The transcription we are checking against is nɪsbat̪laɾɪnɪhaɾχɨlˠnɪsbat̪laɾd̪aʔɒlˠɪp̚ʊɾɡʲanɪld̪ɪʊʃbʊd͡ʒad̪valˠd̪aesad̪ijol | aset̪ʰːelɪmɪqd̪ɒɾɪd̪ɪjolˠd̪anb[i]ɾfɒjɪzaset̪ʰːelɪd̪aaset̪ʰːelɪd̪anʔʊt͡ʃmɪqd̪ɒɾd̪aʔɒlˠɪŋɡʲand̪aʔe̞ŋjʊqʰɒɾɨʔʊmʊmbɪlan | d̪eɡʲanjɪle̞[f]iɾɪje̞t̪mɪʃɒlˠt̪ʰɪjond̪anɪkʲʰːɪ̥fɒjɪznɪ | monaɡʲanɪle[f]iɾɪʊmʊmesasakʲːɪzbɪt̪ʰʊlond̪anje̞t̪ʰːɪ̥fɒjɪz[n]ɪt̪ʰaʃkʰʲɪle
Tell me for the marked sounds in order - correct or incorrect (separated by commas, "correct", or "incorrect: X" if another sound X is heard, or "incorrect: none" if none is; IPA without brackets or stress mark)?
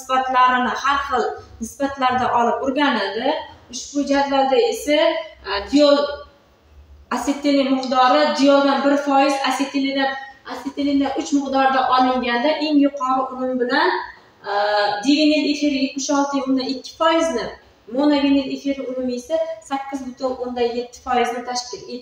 incorrect: ɪ, correct, correct, correct